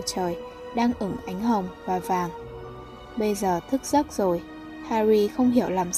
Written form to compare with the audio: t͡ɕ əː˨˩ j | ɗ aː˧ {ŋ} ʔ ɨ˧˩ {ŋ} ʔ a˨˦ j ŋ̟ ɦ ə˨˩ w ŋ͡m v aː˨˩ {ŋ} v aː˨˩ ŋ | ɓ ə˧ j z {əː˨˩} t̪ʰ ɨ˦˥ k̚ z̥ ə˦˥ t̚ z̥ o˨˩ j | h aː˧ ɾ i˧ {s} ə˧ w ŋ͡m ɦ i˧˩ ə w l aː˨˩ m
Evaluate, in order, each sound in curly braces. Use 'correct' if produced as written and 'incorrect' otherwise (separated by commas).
correct, correct, incorrect, correct, incorrect